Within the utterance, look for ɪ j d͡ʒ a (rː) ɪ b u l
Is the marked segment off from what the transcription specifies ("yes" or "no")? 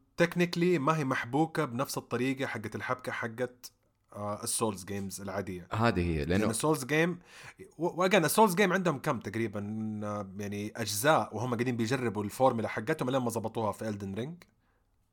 no